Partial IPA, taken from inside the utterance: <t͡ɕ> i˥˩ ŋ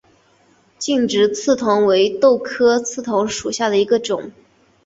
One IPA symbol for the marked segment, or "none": t͡ɕ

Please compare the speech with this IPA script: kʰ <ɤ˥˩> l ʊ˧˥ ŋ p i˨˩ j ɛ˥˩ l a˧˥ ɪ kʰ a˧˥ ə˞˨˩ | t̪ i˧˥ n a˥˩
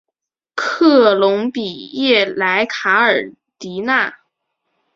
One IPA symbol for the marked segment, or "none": ɤ˥˩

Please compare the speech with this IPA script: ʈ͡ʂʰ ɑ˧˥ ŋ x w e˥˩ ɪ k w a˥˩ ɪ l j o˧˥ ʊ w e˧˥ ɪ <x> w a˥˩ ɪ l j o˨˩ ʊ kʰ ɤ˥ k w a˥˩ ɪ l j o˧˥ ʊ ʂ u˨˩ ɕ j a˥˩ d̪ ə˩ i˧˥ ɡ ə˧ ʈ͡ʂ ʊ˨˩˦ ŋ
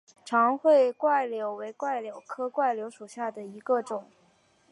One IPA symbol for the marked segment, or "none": k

